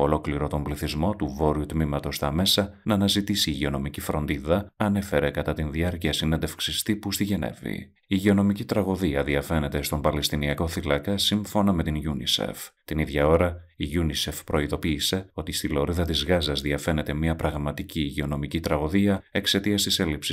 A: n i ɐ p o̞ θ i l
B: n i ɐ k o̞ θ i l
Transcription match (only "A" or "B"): B